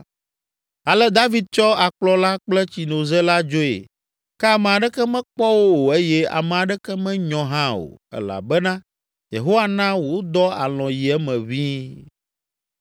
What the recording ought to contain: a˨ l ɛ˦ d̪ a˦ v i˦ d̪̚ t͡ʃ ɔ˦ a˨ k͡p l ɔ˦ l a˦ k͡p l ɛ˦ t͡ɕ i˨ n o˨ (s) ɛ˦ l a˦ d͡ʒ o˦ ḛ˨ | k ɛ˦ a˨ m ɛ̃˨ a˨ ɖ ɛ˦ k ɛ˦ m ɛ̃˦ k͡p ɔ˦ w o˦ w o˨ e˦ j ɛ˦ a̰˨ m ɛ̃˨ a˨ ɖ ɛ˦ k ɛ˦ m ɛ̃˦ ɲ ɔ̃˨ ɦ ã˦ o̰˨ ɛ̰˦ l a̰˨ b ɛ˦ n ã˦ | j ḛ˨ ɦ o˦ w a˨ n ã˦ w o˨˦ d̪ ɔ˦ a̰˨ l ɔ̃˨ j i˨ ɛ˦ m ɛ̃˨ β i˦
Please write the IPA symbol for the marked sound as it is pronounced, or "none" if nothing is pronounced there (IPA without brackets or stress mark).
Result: z